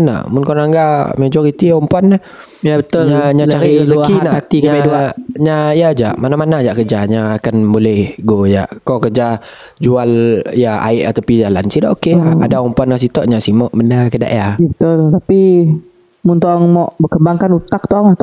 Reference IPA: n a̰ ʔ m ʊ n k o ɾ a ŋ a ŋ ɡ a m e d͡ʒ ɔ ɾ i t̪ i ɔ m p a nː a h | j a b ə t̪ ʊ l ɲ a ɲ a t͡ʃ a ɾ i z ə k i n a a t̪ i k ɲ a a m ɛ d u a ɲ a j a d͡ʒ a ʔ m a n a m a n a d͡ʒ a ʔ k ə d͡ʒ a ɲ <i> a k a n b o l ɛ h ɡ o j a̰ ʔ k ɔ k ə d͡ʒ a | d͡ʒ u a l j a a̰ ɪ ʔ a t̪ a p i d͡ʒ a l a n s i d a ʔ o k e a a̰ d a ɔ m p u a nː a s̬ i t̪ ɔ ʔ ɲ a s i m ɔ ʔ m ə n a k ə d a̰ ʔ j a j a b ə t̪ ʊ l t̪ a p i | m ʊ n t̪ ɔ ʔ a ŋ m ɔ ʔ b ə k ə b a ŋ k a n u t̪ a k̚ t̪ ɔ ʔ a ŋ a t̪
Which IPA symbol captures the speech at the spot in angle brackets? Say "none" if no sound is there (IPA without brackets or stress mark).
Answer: a